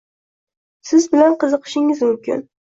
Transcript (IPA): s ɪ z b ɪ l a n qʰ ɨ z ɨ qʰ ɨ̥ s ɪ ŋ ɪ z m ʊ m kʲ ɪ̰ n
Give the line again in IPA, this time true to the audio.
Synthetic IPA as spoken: s ɪ z b ɪ l a n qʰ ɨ z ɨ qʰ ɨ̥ ʃ ɪ ŋ ɪ z m ʊ m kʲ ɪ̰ n